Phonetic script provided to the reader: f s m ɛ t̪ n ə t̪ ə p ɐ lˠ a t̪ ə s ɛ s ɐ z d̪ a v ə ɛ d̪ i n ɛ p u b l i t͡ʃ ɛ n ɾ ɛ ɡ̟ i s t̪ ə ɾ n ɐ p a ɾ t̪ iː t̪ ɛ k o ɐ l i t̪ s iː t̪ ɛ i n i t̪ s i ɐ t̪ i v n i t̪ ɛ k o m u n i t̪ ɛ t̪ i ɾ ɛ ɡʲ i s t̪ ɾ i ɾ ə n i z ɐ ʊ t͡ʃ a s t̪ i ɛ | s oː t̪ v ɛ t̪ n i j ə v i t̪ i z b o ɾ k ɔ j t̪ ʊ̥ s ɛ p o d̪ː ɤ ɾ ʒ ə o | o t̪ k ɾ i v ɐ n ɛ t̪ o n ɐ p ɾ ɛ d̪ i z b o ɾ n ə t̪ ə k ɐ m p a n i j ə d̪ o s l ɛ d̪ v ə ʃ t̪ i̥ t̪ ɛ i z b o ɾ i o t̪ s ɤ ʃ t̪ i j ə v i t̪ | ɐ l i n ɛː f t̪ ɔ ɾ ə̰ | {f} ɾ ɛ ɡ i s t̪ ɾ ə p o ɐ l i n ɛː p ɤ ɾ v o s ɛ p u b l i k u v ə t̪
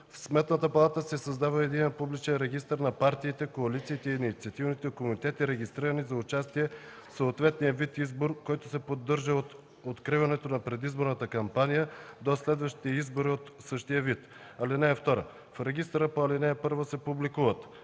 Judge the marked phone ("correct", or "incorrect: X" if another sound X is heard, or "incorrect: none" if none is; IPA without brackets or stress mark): correct